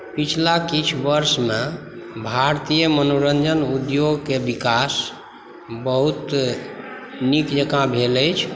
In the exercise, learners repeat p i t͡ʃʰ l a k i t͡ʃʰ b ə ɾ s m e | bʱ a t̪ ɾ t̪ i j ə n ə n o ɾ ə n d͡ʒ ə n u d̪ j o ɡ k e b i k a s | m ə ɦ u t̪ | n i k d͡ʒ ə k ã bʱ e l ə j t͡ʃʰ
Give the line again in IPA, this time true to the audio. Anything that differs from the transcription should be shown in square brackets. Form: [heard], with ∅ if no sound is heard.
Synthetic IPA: p i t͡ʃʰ l a k i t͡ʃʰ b ə ɾ s m e | bʱ a [∅] ɾ t̪ i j ə [m] ə n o ɾ ə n d͡ʒ ə n u d̪ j o ɡ k e b i k a s | [b] ə ɦ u t̪ | n i k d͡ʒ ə k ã bʱ e l ə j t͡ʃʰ